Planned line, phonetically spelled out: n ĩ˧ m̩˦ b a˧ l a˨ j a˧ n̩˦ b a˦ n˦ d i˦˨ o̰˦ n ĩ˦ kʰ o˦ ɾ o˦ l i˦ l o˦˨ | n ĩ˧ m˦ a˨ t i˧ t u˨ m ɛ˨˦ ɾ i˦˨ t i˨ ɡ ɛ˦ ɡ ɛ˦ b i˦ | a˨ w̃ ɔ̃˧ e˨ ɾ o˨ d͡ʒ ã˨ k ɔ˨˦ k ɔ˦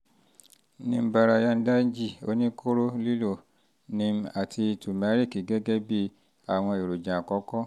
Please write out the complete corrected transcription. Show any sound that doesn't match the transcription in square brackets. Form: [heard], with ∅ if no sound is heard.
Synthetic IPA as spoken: n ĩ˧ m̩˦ b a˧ [ɾ] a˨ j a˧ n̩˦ [d] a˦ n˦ [d͡ʒ] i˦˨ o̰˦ n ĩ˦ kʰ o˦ ɾ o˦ l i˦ l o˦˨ | n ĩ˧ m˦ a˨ t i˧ t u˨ m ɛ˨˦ ɾ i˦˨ [k] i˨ ɡ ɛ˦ ɡ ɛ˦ b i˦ | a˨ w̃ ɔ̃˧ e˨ ɾ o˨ d͡ʒ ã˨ k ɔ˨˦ k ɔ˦